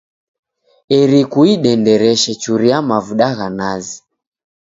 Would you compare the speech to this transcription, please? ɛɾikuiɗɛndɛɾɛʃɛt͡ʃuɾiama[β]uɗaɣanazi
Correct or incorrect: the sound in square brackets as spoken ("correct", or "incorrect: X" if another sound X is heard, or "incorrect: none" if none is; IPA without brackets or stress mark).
incorrect: v